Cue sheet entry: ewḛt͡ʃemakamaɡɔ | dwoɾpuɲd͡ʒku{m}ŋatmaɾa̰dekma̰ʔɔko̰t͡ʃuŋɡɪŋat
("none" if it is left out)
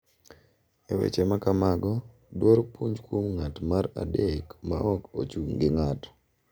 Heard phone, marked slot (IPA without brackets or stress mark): m